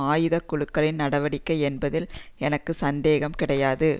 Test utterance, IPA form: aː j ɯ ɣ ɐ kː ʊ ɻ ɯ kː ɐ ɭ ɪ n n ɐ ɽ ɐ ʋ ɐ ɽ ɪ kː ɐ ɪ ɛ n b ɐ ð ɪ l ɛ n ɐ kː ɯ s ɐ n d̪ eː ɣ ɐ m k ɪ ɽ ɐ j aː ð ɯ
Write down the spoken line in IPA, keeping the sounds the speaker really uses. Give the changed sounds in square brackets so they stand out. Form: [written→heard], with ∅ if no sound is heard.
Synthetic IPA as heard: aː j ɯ [ɣ→ð] ɐ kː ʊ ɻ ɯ kː ɐ ɭ ɪ n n ɐ ɽ ɐ ʋ ɐ ɽ ɪ kː ɐ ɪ ɛ n b ɐ ð ɪ l ɛ n ɐ kː ɯ s ɐ n d̪ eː ɣ ɐ m k ɪ ɽ ɐ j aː ð ɯ